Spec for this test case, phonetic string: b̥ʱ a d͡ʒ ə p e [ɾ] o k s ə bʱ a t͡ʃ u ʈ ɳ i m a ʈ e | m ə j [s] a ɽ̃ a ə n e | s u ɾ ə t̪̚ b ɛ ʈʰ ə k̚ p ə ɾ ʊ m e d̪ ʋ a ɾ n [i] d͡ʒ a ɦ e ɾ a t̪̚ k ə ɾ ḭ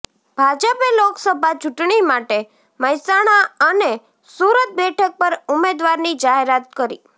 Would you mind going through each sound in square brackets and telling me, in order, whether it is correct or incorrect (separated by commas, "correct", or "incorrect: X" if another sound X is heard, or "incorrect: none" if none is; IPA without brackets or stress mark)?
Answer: incorrect: l, correct, correct